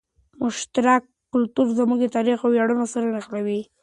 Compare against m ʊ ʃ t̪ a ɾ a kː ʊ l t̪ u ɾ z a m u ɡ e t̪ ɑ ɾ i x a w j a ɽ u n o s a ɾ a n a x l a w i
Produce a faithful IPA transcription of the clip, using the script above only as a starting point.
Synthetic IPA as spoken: m ʊ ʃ t̪ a ɾ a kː ʊ l t̪ u ɾ z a m u ɡ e t̪ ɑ ɾ i x a w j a ɽ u n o s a ɾ a n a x l a w i